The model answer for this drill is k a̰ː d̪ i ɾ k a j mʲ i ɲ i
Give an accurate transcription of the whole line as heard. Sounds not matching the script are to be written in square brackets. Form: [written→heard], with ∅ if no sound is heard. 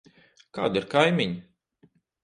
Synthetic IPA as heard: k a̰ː d̪ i ɾ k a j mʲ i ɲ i